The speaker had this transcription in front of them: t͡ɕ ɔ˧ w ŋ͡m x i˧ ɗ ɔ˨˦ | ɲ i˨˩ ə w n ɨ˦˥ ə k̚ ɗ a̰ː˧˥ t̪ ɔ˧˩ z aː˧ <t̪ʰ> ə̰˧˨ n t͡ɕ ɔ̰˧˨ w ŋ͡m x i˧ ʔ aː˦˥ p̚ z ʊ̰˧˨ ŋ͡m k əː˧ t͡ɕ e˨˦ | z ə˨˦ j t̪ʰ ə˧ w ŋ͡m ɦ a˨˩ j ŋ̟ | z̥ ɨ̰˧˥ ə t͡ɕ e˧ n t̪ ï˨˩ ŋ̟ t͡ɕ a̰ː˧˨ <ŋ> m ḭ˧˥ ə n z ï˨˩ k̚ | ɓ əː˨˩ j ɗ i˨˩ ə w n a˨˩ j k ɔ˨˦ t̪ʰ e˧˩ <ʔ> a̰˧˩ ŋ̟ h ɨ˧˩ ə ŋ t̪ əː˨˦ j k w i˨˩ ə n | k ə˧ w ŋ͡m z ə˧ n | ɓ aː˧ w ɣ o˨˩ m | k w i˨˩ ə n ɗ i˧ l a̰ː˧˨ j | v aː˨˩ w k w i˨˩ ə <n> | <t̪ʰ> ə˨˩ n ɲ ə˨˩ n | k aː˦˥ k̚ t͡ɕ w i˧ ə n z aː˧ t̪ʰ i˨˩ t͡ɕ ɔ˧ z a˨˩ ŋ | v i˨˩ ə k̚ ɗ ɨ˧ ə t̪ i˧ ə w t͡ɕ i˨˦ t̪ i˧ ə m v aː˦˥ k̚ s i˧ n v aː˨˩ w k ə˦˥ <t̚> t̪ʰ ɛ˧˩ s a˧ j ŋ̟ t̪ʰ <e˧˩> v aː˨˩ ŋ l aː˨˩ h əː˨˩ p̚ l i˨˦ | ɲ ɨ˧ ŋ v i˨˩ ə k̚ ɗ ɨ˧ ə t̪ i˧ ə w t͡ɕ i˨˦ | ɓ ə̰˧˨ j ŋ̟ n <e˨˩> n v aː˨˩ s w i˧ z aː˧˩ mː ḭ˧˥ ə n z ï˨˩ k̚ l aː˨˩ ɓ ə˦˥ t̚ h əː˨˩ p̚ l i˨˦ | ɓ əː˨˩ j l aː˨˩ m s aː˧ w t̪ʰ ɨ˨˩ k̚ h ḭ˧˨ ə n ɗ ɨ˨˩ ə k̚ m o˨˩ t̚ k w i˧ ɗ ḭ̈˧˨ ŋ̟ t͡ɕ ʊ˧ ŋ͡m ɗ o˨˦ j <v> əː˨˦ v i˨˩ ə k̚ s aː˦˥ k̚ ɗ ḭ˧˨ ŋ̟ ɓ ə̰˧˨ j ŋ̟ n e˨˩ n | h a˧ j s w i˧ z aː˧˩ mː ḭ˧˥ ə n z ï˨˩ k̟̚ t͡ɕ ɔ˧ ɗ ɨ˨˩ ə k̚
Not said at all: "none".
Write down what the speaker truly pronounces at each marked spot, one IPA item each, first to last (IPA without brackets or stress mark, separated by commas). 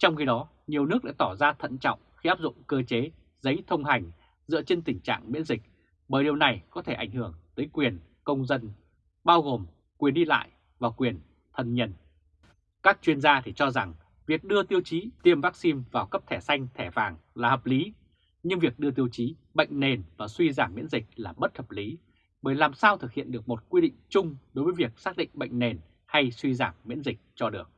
t̪ʰ, ŋ, ʔ, n, t̪ʰ, p̚, ɛ˧˩, e˨˩, v